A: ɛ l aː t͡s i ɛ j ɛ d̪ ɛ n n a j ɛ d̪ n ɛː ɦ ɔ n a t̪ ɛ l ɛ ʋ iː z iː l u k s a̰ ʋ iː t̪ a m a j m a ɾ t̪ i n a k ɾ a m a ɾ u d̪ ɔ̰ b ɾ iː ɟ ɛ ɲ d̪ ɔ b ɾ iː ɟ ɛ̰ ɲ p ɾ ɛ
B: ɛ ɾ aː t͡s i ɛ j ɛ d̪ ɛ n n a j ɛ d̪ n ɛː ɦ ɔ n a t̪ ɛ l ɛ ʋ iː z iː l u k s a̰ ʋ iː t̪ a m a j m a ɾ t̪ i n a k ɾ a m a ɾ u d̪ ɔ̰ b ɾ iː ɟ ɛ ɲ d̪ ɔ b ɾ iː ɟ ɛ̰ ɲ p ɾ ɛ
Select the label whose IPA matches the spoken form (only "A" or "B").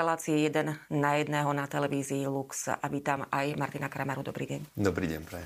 A